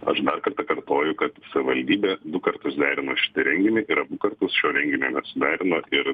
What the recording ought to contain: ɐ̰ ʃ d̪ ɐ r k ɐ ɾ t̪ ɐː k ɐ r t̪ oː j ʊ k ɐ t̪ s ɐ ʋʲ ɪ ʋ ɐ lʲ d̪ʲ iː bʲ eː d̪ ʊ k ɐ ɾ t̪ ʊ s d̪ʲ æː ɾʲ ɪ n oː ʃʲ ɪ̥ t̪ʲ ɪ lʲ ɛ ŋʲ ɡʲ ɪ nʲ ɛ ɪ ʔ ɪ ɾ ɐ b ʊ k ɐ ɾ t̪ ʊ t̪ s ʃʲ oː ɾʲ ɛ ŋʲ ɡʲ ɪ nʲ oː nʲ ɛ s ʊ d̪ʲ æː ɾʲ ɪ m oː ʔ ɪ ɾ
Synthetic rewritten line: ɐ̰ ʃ d̪ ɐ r k ɐ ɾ t̪ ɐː k ɐ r t̪ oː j ʊ k ɐ t̪ s ɐ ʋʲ ɪ ʋ ɐ lʲ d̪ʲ iː bʲ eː d̪ ʊ k ɐ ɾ t̪ ʊ s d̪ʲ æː ɾʲ ɪ n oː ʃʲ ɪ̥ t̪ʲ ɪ ɾʲ ɛ ŋʲ ɡʲ ɪ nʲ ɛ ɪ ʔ ɪ ɾ ɐ b ʊ k ɐ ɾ t̪ ʊ s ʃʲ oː ɾʲ ɛ ŋʲ ɡʲ ɪ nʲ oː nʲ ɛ s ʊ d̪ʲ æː ɾʲ ɪ n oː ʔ ɪ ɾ